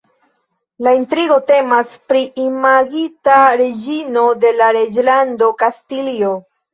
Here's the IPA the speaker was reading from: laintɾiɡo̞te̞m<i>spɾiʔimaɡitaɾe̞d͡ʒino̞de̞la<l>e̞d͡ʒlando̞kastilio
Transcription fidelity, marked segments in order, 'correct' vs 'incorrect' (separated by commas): incorrect, incorrect